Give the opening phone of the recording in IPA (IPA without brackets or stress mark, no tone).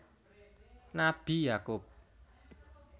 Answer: n